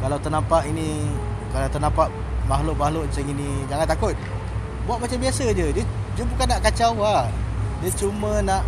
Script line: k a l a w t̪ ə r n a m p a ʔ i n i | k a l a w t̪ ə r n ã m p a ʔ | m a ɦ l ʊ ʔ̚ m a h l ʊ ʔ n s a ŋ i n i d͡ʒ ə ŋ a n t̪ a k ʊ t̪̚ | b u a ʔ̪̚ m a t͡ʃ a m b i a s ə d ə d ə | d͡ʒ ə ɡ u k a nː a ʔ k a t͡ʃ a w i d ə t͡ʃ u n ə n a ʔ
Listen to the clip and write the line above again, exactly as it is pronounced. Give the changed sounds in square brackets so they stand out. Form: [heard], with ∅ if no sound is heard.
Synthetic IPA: k a l a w t̪ ə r n a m p a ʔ i n i | k a l a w t̪ ə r n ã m p a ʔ | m a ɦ l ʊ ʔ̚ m a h l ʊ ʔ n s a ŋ i n i d͡ʒ [a] ŋ a n t̪ a k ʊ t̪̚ | b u a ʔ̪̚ m a t͡ʃ a m b i a s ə [d͡ʒ] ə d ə | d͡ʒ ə [b] u k a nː a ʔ k a t͡ʃ a w [a] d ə t͡ʃ u [m] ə n a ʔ